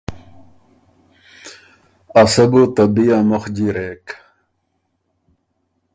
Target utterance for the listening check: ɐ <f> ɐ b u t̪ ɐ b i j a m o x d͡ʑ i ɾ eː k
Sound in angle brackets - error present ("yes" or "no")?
yes